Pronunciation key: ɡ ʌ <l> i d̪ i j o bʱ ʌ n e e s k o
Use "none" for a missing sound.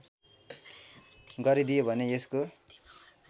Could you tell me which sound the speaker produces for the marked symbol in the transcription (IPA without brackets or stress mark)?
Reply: ɾ